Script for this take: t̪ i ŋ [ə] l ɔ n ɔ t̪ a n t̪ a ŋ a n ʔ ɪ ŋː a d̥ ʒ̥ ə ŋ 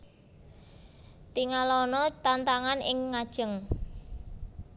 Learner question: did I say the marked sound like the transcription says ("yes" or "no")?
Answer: no